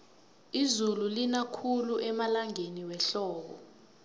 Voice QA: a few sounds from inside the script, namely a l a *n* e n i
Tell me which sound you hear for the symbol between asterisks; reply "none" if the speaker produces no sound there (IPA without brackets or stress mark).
ŋ